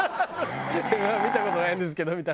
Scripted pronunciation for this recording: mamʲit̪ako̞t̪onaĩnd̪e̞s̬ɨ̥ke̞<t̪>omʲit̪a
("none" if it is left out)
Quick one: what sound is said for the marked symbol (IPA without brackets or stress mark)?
d̪